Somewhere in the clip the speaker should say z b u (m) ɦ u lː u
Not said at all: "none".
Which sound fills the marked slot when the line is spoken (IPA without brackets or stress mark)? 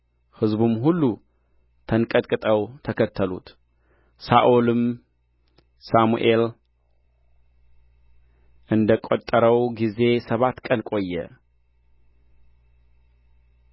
m